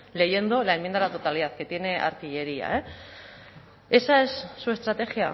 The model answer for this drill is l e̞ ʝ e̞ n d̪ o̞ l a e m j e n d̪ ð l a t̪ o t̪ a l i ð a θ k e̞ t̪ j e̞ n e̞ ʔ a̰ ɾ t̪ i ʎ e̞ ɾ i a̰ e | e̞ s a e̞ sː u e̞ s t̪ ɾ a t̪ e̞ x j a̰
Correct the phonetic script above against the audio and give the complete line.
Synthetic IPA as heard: l e̞ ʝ e̞ n d̪ o̞ l a e m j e n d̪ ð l a t̪ o t̪ a l i ð a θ k e̞ t̪ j e̞ n e̞ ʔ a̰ ɾ t̪ i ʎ e̞ ɾ i a̰ e | e̞ s a e̞ sː u e̞ s t̪ ɾ a t̪ e̞ x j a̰